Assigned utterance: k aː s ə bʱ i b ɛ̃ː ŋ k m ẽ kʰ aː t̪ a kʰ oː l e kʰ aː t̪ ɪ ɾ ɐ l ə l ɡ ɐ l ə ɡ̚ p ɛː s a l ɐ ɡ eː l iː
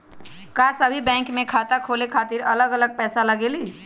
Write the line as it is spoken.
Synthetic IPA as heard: k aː s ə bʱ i b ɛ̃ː ŋ k m ẽ kʰ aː t̪ a kʰ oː l e kʰ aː t̪ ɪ ɾ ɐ l ə ɡ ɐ l ə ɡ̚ p ɛː s a l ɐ ɡ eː l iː

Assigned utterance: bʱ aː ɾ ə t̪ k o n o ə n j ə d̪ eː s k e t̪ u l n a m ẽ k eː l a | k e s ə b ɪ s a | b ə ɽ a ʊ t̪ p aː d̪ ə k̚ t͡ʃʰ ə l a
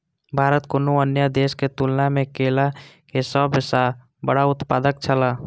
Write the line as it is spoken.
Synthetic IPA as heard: bʱ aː ɾ ə t̪ k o n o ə n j ə d̪ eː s k e t̪ u l n a m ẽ k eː l a | k e s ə b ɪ s a | b ə ɽ a ʊ t̪ p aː d̪ ə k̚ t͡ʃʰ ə l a

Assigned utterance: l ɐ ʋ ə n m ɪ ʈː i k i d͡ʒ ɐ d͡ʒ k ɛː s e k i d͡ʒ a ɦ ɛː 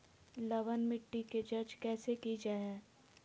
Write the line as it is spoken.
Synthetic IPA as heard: l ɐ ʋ ə n m ɪ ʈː i k e d͡ʒ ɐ d͡ʒ k ɛː s e k i d͡ʒ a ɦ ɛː

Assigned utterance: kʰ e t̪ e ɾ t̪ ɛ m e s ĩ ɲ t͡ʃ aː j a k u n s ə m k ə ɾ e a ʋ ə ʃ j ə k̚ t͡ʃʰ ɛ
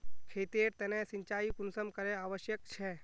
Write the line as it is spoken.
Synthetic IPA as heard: kʰ e t̪ e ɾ t̪ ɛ n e s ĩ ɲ t͡ʃ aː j i k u n s ə m k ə ɾ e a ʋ ə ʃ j ə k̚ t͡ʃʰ ɛ

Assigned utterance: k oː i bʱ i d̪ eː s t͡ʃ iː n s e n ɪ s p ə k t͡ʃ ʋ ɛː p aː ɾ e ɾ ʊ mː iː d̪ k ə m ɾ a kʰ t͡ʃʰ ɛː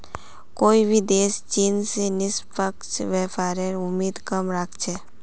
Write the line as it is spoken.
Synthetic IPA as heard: k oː i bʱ i d̪ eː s t͡ʃ iː n s e n ɪ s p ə k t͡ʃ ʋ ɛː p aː ɾ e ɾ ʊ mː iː d̪ k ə m ɾ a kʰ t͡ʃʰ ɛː

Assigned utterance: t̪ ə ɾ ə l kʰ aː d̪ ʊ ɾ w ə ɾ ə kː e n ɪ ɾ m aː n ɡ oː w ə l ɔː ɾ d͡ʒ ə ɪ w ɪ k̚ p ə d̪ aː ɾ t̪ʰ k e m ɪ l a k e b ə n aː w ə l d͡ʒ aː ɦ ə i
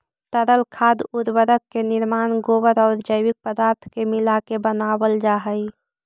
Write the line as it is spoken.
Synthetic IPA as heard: t̪ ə ɾ ə l kʰ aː d̪ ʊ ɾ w ə ɾ ə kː e n ɪ ɾ m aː n ɡ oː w ə ɾ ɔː ɾ d͡ʒ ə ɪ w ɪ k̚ p ə d̪ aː ɾ t̪ʰ k e m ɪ l a k e b ə n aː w ə l d͡ʒ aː ɦ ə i

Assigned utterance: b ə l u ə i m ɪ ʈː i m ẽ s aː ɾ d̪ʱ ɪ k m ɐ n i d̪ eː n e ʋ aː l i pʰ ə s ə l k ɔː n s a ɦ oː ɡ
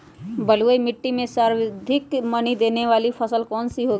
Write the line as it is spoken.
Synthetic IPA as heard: b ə l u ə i m ɪ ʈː i m ẽ s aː ɾ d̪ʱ ɪ k m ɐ n i d̪ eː n e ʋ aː l i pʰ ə s ə l k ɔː n s i ɦ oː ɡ

